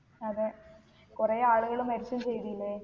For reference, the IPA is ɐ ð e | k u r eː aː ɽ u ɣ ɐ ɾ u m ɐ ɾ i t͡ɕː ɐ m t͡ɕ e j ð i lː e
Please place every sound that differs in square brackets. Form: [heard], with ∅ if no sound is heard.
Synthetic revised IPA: ɐ ð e | k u r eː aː [ɭ] u ɣ ɐ [ɭ] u m ɐ ɾ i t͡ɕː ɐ m t͡ɕ e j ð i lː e